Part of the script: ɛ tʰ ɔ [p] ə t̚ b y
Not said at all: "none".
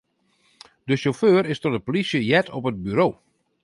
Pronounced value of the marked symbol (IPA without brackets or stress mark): p